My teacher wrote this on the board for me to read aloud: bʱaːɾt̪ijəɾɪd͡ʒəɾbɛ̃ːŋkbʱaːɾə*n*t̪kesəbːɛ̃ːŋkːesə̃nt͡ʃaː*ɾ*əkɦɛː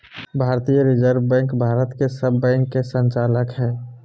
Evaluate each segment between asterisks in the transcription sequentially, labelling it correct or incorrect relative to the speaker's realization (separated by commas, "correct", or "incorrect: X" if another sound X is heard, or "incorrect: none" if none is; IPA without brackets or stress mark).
incorrect: none, incorrect: l